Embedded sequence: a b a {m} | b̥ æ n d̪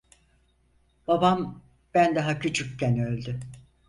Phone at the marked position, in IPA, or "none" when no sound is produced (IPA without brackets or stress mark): m